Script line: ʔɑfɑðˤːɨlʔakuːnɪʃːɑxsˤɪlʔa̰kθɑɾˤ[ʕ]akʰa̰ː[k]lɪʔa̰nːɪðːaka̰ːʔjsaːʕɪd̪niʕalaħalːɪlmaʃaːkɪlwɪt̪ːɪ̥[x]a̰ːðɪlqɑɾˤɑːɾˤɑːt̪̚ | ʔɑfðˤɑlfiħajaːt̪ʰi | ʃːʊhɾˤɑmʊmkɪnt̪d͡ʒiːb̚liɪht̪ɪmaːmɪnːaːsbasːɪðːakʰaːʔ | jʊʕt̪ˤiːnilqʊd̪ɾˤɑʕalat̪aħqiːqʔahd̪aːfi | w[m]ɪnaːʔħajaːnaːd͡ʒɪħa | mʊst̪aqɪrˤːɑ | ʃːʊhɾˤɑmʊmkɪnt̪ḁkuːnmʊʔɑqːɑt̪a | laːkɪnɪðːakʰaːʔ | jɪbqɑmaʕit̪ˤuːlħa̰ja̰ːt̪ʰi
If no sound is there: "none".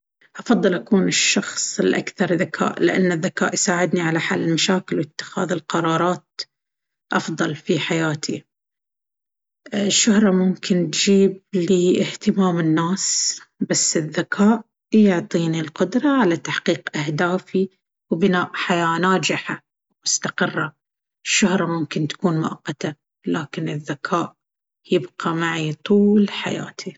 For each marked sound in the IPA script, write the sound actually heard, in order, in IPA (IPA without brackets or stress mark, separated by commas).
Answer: ð, ʔ, x, b